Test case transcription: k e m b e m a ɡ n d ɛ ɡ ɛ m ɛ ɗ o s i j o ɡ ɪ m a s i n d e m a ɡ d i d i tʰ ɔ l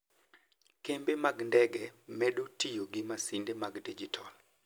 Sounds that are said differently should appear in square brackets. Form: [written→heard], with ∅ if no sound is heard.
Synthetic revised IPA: k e m b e m a ɡ n d ɛ ɡ ɛ m ɛ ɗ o [s→t] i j o ɡ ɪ m a s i n d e m a ɡ d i [d→d͡ʒ] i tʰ ɔ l